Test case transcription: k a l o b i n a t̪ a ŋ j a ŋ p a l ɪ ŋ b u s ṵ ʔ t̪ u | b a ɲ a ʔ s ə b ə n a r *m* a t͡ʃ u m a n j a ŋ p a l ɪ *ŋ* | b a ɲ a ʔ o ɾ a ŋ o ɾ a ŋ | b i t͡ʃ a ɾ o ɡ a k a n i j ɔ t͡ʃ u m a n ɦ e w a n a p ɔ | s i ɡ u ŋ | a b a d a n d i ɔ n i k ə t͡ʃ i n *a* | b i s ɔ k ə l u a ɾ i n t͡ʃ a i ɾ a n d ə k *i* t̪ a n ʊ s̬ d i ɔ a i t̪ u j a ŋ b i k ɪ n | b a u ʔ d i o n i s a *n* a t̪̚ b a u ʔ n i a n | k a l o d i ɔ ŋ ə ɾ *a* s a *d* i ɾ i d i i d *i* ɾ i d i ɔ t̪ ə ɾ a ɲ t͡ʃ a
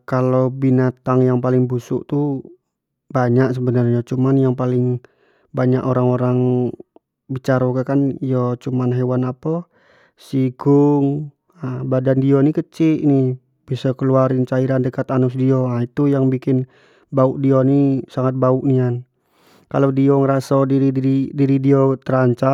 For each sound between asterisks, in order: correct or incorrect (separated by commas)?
incorrect, correct, incorrect, incorrect, incorrect, correct, correct, correct